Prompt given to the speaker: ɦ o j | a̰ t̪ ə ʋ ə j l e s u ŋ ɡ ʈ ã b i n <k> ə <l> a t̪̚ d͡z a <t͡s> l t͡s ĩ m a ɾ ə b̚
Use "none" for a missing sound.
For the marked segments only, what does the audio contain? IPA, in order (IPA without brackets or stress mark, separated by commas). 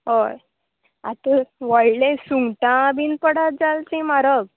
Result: p, ɽ, none